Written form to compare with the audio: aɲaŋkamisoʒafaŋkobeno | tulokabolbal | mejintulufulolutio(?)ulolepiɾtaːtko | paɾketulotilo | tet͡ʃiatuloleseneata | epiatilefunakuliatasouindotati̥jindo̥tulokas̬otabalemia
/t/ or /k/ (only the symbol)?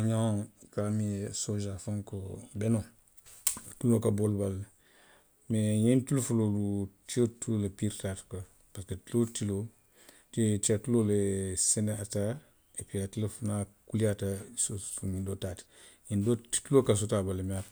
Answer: t